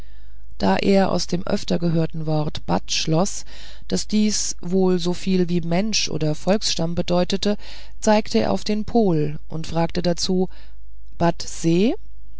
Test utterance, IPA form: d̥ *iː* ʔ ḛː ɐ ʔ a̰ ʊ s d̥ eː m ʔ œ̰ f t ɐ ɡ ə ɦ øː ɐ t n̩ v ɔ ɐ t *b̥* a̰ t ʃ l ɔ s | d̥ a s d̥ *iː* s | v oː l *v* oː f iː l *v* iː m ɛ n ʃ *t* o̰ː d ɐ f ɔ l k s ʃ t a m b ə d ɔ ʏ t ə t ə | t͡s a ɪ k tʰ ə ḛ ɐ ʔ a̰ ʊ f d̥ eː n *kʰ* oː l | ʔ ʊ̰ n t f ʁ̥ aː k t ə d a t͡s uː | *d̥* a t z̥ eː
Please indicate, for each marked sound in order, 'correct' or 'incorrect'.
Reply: incorrect: aː, correct, correct, incorrect: z, correct, incorrect: ʔ, incorrect: pʰ, incorrect: b̥

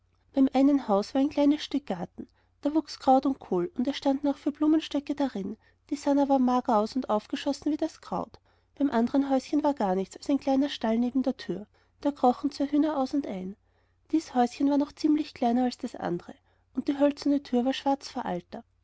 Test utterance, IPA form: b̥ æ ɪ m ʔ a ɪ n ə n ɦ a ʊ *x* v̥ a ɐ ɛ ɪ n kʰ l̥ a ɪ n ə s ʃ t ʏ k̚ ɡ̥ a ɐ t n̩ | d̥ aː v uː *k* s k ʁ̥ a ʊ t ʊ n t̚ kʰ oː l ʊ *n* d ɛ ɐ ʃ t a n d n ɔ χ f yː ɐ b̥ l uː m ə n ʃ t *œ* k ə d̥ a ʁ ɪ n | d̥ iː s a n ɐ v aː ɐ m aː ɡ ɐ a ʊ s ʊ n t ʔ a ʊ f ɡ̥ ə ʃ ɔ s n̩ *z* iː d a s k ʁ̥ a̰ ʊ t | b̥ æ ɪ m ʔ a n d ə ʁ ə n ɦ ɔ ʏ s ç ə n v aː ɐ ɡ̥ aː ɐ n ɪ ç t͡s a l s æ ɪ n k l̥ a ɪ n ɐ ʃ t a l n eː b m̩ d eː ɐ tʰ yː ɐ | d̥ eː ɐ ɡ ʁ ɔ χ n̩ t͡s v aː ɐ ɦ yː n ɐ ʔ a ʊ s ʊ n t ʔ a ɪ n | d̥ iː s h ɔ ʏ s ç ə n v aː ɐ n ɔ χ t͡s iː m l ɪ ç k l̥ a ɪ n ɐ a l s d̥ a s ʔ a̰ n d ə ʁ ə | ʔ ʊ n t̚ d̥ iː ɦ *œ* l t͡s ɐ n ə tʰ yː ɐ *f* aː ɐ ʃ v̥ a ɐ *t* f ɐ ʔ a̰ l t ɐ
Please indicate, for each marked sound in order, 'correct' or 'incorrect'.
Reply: incorrect: s, correct, correct, correct, incorrect: v, correct, incorrect: v, incorrect: t͡s

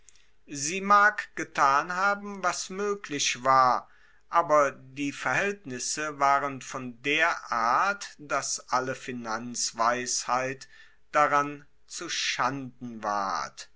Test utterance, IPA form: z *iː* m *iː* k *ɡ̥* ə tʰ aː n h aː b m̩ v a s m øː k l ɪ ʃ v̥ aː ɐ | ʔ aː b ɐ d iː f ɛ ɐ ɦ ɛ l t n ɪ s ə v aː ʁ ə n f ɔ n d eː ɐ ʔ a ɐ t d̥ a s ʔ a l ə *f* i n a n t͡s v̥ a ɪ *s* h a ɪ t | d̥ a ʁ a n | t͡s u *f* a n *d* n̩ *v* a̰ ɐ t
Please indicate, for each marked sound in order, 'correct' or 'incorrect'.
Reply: correct, incorrect: aː, correct, correct, correct, incorrect: ʃ, correct, correct

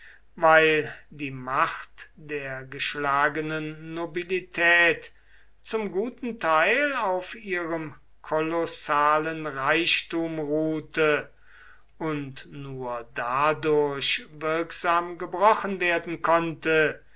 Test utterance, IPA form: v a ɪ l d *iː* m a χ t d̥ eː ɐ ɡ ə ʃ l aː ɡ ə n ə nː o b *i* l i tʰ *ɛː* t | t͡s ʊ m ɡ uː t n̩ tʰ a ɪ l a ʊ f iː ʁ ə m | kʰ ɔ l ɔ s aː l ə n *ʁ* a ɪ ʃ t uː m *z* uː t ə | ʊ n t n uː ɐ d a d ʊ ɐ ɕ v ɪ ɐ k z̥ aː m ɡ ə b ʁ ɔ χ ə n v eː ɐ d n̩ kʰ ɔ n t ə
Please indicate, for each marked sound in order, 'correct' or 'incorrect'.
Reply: correct, correct, correct, correct, incorrect: ʁ

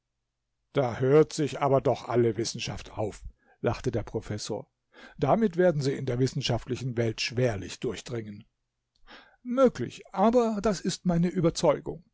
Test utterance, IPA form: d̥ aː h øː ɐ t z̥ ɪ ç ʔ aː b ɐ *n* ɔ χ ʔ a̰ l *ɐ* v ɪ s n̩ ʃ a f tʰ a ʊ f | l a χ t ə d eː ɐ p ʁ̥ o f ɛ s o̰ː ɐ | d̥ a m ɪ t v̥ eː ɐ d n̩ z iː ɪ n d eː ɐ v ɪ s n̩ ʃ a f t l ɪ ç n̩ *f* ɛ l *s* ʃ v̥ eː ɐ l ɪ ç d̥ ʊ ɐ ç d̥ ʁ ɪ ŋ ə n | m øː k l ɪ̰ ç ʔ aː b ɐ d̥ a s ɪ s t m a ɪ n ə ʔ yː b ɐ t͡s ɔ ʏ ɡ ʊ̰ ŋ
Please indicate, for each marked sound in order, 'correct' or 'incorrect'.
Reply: incorrect: d, incorrect: ə, incorrect: v, incorrect: t

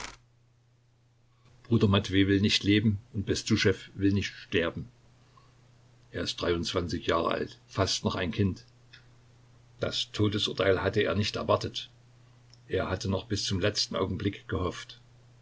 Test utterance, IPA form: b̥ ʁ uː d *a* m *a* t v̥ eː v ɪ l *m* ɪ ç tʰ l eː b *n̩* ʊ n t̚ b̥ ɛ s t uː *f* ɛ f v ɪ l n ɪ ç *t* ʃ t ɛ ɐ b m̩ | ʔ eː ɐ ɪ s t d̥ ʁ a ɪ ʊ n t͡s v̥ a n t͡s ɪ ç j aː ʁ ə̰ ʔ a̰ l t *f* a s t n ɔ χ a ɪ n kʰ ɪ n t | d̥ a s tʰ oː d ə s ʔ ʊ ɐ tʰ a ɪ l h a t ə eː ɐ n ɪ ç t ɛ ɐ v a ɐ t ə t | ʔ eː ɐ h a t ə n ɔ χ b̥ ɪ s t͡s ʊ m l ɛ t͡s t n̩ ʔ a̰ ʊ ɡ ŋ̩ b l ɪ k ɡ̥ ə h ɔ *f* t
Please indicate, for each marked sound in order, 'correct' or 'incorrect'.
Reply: incorrect: ɐ, correct, incorrect: n, incorrect: m̩, incorrect: ʃ, correct, correct, correct

